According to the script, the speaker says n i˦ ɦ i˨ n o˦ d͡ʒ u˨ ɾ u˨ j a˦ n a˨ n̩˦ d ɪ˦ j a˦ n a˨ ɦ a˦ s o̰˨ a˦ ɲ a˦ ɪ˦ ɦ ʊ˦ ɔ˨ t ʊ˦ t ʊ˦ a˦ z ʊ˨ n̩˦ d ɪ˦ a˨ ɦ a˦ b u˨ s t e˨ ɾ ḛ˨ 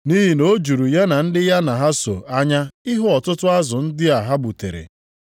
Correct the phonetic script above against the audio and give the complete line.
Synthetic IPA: n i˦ ɦ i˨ n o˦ d͡ʒ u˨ ɾ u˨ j a˦ n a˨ n̩˦ d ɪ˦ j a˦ n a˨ ɦ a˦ s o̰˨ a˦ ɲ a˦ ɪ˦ ɦ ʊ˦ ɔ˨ t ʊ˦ t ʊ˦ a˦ z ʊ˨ n̩˦ d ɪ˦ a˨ ɦ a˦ b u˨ t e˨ ɾ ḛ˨